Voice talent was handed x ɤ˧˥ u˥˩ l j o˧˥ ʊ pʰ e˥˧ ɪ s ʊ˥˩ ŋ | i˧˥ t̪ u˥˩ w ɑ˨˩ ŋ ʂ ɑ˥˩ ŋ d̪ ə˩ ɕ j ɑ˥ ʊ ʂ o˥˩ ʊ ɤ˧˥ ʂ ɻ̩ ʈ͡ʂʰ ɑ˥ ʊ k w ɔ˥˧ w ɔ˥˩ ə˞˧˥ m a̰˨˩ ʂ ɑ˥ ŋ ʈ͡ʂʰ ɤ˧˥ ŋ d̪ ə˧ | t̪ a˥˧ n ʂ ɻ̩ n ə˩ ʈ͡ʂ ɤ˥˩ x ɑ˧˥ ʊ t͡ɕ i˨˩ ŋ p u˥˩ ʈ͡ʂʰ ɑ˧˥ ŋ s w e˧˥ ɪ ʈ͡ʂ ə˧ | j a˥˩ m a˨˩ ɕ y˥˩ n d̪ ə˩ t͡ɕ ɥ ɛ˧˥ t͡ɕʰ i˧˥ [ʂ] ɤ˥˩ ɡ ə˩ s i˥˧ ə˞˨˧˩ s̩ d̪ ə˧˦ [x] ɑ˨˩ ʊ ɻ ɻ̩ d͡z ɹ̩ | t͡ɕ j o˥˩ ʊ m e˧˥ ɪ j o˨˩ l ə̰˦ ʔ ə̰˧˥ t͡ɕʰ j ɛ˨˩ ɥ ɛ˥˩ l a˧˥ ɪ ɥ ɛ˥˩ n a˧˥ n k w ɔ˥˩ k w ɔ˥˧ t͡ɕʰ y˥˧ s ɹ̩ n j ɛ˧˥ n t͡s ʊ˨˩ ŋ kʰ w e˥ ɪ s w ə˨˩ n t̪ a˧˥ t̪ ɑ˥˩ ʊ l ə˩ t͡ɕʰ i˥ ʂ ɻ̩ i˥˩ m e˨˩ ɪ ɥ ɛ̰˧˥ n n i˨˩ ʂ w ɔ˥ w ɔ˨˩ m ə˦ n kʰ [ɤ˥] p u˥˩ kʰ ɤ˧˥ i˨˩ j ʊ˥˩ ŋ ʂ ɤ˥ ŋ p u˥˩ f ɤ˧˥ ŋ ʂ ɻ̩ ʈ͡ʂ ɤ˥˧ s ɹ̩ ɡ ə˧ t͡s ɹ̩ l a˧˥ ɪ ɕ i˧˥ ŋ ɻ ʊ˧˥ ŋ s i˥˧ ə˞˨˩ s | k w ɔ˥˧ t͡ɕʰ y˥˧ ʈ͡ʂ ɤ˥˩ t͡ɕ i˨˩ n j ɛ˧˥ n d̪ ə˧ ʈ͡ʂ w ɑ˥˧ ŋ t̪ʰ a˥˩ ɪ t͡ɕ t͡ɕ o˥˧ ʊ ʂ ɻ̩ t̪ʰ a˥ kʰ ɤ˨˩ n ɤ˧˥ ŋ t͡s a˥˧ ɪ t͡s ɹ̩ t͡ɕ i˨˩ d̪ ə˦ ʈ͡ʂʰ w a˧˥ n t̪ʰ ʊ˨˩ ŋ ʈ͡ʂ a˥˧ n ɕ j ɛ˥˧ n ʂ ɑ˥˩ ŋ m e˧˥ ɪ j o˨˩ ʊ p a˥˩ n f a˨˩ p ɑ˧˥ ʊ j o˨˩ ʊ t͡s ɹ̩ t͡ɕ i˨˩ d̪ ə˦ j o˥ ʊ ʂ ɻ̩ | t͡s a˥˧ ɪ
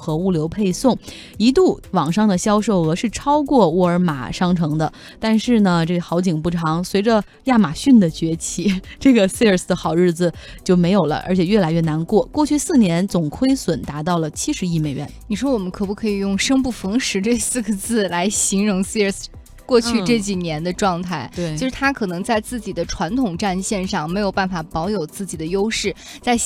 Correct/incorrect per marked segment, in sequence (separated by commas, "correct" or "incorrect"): incorrect, correct, incorrect